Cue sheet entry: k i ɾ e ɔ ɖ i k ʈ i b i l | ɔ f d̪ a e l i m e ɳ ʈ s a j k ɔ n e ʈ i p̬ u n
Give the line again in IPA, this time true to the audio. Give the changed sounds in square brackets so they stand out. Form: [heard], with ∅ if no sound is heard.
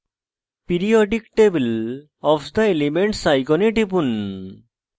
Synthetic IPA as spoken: [p] i ɾ [i] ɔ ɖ i k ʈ [e] b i l | ɔ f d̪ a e l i m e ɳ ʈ s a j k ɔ n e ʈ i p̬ u n